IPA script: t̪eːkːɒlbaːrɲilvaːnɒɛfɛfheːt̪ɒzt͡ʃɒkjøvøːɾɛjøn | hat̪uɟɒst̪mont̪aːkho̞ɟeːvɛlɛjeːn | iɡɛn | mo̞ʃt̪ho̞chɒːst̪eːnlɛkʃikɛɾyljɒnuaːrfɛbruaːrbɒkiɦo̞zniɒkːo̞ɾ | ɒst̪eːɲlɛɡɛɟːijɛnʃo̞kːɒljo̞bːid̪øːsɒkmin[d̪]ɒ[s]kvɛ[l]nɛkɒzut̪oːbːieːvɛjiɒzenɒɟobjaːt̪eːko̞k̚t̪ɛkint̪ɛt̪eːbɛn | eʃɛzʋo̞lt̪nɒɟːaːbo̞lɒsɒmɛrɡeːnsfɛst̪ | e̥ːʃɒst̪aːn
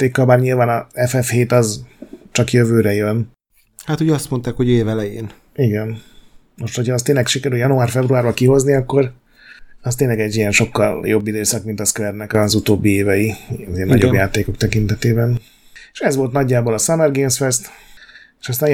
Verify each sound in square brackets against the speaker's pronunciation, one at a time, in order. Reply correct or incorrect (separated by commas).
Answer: incorrect, correct, incorrect